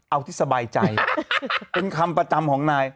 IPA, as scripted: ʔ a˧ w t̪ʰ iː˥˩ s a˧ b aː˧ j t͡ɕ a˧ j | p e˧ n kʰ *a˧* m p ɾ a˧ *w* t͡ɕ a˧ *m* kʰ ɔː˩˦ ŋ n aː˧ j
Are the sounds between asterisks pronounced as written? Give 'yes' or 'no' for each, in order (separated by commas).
yes, no, yes